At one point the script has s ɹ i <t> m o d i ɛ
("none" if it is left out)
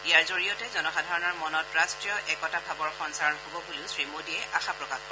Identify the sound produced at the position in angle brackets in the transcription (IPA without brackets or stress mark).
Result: none